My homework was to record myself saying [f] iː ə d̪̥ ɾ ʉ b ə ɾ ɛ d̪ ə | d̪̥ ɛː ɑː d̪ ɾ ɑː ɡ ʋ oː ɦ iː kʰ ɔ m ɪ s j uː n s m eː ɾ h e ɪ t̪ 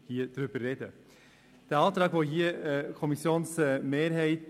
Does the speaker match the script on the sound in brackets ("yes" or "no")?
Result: no